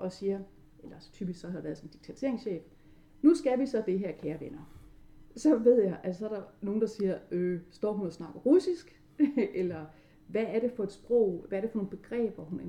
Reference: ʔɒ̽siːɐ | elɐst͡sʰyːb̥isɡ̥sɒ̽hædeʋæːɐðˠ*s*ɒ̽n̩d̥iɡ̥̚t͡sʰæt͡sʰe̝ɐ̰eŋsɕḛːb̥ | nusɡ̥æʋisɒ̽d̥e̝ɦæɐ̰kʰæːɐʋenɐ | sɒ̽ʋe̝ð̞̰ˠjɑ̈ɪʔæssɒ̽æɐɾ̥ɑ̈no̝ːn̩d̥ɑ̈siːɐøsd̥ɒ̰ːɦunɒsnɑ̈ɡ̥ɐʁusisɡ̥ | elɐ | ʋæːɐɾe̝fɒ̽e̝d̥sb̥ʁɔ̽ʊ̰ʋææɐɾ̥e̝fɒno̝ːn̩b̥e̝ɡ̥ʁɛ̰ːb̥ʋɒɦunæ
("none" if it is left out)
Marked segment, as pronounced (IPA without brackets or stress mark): s